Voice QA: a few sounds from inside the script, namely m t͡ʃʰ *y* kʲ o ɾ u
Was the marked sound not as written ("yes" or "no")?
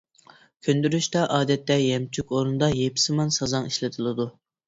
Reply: no